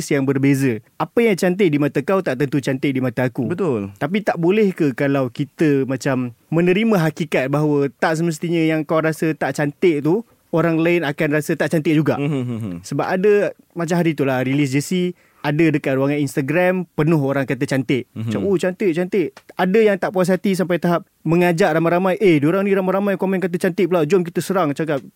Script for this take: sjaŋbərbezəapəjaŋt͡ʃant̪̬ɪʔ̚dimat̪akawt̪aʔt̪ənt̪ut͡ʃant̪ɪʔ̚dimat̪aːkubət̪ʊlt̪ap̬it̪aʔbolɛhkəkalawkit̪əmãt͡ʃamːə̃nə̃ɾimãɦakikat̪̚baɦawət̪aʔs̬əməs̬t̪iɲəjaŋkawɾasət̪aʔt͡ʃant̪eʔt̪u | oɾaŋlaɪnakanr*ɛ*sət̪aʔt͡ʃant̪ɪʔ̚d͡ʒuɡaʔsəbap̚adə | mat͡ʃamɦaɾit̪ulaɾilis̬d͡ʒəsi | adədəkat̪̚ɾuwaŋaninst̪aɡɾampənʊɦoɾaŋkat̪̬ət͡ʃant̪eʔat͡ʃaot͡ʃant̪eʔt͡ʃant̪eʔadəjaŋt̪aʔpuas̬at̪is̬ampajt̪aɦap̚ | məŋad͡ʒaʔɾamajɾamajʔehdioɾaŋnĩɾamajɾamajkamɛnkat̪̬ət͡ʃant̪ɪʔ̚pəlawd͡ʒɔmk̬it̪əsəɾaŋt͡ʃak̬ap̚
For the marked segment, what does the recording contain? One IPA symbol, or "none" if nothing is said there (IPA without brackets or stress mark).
a